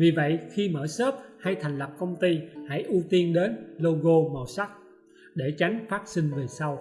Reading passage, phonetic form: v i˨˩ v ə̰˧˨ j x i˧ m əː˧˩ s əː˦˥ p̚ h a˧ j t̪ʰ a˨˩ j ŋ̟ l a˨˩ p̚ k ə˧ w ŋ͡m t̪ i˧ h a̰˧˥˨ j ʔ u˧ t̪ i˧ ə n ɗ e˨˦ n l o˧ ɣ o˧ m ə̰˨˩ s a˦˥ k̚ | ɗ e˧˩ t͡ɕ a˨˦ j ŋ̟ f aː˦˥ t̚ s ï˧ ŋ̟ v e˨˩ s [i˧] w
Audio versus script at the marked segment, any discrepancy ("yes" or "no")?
yes